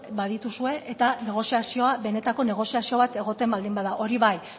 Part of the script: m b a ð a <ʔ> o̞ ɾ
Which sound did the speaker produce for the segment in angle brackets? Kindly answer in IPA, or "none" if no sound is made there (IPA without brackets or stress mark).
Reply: ʔ